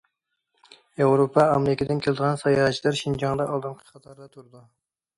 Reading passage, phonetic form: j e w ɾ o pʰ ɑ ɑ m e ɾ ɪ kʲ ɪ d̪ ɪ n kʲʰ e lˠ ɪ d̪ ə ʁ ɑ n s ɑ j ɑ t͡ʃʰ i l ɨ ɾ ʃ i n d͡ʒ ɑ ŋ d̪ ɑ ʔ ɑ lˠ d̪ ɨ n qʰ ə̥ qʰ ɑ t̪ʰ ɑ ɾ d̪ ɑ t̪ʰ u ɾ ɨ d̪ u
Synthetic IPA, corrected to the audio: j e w ɾ o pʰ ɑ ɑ m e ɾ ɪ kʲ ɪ d̪ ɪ n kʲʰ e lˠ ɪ d̪ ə ʁ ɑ n s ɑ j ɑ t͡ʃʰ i l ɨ ɾ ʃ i n d͡ʒ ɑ ŋ d̪ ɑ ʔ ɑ lˠ d̪ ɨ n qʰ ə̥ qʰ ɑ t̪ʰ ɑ ɾ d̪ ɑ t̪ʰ u ɾ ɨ d̪ u